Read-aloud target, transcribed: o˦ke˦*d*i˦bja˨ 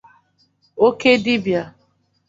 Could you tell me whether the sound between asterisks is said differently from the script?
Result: no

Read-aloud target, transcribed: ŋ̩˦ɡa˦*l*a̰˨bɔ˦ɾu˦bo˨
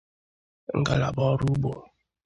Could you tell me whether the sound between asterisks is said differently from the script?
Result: no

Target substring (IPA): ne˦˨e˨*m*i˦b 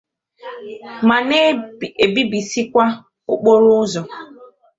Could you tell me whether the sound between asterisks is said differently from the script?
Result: yes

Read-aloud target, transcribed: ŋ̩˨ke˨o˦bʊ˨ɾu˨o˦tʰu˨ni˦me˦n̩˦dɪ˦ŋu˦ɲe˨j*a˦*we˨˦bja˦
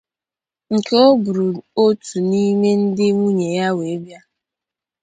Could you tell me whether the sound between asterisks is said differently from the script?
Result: no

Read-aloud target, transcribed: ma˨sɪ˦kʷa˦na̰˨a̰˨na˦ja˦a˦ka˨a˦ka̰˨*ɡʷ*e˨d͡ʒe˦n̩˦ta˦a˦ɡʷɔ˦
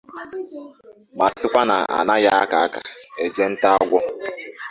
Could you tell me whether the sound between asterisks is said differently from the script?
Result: yes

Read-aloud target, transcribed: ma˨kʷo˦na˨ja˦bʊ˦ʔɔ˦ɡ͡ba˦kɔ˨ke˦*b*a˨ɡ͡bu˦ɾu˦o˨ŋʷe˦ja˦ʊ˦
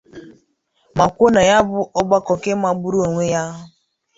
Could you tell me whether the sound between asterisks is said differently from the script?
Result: yes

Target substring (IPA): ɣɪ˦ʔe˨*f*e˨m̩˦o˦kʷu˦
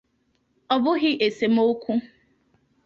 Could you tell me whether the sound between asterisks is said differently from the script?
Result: yes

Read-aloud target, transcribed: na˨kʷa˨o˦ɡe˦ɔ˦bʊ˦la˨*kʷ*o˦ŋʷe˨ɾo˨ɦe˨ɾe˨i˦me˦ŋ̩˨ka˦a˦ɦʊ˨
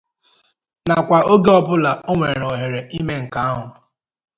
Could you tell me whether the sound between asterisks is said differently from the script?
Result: yes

